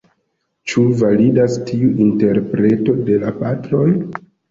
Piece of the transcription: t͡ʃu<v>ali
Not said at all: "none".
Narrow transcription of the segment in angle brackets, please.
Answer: v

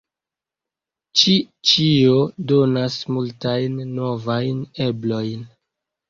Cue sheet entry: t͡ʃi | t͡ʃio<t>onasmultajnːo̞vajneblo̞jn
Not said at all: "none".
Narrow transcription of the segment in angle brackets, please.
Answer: d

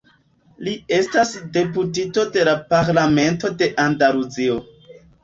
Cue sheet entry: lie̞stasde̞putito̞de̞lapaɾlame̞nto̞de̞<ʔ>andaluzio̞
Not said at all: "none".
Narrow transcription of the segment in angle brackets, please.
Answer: ʔ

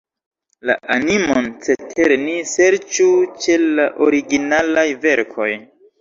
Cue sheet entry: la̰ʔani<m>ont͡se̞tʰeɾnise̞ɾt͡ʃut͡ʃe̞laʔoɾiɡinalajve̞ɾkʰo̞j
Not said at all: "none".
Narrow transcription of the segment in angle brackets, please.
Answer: m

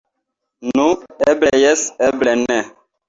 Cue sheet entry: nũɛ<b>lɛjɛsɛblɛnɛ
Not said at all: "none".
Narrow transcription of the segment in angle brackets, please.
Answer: b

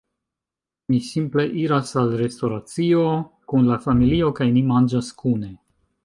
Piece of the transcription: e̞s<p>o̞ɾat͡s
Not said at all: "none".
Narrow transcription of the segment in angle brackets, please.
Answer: t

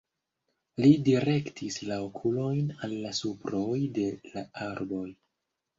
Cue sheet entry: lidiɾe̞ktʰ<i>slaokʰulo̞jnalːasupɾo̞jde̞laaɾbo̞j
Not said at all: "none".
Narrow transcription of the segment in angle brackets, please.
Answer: i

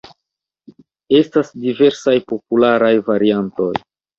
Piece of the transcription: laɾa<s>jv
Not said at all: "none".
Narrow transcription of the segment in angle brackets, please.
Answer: none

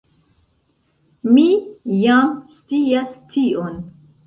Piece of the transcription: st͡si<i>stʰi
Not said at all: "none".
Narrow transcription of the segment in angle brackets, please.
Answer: a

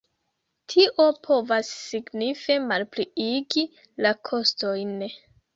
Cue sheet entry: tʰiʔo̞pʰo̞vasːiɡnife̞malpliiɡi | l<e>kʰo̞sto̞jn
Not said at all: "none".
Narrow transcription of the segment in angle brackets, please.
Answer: a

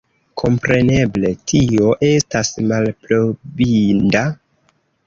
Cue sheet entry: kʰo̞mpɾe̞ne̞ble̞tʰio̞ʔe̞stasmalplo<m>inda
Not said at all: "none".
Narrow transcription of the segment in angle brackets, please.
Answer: b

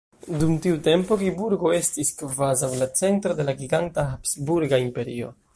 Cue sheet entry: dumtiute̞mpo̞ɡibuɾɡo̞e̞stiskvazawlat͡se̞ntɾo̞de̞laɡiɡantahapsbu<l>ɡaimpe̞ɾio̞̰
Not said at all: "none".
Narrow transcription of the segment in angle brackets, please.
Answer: ɾ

